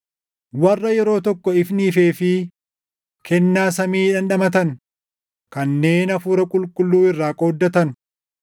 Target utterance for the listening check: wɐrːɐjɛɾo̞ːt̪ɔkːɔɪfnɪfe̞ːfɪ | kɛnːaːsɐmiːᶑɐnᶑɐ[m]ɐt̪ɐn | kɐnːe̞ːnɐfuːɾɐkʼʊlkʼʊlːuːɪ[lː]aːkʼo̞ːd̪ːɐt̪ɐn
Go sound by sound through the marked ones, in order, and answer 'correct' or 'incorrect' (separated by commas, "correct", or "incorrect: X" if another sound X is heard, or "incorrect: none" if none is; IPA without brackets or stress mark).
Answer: correct, incorrect: rː